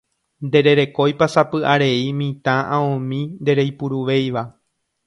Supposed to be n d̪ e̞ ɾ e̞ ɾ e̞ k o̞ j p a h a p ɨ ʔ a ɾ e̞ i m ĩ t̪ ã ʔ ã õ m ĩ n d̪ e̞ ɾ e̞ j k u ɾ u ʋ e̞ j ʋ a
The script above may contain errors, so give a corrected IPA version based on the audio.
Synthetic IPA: n d̪ e̞ ɾ e̞ ɾ e̞ k o̞ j p a s a p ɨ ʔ a ɾ e̞ i m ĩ t̪ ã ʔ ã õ m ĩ n d̪ e̞ ɾ e̞ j p u ɾ u ʋ e̞ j ʋ a